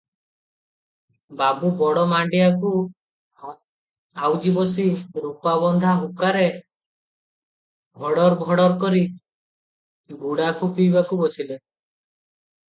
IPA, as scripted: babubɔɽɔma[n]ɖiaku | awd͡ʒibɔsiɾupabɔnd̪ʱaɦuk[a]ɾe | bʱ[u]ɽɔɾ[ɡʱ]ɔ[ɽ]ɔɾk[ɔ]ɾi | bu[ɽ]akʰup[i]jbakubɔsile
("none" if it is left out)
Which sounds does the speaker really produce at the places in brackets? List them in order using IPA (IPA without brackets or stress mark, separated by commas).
ɳ, a, ɔ, bʱ, ɽ, ɔ, ɽ, i